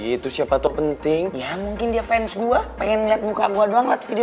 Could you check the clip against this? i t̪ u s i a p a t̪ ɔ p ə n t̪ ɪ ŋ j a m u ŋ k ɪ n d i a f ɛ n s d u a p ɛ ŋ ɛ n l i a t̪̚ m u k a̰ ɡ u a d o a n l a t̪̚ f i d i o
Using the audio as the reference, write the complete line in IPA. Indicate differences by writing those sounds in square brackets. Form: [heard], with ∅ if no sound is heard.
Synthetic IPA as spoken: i t̪ u s i a p a t̪ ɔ p ə n t̪ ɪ ŋ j a m u ŋ k ɪ n d i a f ɛ n s [ɡ] u a p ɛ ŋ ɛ n l i a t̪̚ m u k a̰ ɡ u a d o a [ŋ] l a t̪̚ f i d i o